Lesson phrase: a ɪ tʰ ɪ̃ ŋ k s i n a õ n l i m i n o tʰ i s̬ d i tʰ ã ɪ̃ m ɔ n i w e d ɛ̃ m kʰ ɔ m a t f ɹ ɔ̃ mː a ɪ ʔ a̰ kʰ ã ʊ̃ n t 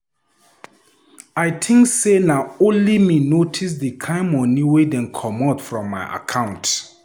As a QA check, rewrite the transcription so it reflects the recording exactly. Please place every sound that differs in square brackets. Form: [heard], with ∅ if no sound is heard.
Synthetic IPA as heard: a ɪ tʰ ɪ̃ ŋ k s [e] n a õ n l i m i n o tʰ i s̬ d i [kʰ] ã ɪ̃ m ɔ n i w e d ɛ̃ [n] kʰ ɔ m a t f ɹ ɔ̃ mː a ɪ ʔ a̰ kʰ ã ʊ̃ n t